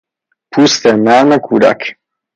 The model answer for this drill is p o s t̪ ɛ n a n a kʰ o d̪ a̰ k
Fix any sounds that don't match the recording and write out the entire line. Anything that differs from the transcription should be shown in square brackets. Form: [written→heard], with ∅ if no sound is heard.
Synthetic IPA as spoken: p [o→u] s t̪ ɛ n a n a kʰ [o→u] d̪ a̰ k